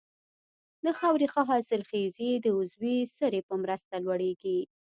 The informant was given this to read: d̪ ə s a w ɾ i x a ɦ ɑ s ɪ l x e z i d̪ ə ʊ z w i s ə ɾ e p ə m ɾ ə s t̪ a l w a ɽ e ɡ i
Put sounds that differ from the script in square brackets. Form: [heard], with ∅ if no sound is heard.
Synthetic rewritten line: d̪ ə [x] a w ɾ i x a ɦ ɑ s ɪ l x e z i d̪ ə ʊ z w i s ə ɾ e p ə m ɾ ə s t̪ a l w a ɽ e ɡ i